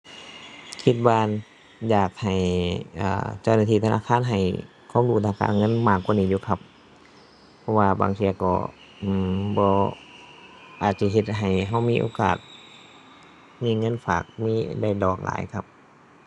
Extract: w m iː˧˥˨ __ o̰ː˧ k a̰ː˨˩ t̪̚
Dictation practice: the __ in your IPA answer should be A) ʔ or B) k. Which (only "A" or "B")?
A